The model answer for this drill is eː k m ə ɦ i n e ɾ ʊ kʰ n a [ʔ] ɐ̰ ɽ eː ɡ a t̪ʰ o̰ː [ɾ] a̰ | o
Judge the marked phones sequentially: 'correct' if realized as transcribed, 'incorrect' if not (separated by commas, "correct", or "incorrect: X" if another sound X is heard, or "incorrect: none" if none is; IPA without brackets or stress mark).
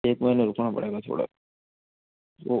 incorrect: p, incorrect: ɽ